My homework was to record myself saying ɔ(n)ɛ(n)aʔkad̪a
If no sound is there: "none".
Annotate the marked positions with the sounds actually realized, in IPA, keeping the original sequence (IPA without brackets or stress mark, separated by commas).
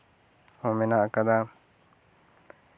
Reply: m, n